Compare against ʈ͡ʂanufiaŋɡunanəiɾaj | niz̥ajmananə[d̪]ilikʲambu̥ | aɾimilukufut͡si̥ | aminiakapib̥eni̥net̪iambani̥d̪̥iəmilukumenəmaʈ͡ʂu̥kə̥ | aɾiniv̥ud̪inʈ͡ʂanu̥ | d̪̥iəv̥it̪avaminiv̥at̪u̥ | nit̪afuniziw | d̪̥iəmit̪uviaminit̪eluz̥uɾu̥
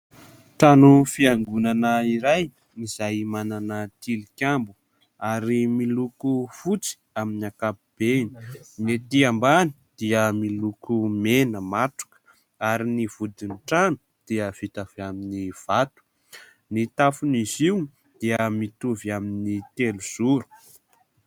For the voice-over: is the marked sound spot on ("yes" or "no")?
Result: no